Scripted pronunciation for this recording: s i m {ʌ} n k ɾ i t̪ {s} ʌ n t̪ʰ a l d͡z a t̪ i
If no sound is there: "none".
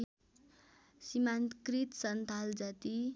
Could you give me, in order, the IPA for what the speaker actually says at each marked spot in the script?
a, s

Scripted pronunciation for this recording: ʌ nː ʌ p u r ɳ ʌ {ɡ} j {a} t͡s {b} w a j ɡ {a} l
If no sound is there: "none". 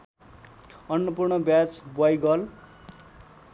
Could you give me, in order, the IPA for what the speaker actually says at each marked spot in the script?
b, a, b, ʌ

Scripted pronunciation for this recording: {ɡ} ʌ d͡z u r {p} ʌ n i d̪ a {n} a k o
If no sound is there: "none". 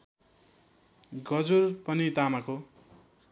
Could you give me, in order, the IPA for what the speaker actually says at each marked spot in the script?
ɡ, p, m

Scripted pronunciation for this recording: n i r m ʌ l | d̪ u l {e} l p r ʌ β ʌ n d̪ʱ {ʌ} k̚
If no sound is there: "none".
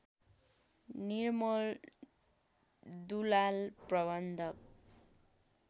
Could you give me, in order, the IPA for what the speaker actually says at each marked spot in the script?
a, ʌ

